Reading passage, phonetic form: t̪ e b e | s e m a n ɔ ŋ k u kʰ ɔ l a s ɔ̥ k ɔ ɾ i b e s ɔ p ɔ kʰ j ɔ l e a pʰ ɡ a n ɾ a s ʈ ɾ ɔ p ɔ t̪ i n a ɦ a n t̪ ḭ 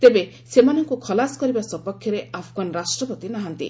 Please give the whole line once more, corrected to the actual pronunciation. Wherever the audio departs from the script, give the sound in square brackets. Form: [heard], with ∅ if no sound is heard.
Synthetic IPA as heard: t̪ e b e | s e m a n ɔ ŋ k u kʰ ɔ l a s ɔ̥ k ɔ ɾ i b [a] s ɔ p ɔ kʰ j ɔ [ɾ] e a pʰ ɡ a n ɾ a s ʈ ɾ ɔ p ɔ t̪ i n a ɦ a n t̪ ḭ